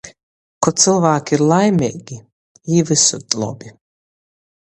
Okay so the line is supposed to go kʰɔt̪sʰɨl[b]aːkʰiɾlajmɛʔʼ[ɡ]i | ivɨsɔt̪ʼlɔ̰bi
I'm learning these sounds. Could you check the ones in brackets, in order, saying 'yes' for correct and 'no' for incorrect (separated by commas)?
no, yes